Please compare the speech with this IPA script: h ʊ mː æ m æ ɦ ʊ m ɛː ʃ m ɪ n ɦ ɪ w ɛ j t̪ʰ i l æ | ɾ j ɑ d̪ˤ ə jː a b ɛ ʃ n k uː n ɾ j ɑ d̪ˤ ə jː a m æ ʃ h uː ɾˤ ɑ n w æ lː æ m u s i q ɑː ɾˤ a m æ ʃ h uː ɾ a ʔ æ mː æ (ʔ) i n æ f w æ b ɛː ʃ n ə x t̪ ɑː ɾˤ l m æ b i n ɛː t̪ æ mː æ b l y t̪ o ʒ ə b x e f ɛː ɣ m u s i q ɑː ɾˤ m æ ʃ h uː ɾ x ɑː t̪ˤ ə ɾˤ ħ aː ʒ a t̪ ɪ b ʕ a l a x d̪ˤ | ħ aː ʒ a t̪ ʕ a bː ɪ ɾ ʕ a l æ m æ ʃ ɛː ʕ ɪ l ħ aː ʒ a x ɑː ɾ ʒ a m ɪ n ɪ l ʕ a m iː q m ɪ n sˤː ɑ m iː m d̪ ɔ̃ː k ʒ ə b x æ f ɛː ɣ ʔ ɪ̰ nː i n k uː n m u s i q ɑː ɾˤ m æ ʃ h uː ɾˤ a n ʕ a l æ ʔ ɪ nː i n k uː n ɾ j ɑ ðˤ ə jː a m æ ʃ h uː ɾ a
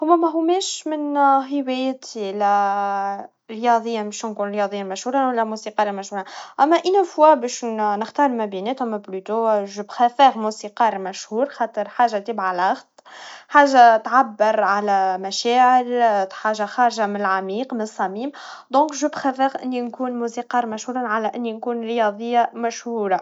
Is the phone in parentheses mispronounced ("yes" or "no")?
no